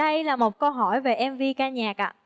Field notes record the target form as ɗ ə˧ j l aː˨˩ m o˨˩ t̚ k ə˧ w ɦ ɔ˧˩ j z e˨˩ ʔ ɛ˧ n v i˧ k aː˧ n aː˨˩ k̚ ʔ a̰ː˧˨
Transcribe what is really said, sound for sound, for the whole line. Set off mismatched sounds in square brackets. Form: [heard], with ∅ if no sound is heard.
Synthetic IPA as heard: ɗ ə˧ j l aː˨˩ m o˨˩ t̚ k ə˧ w ɦ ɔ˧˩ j [v] e˨˩ ʔ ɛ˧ [m] v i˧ k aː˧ [ɲ] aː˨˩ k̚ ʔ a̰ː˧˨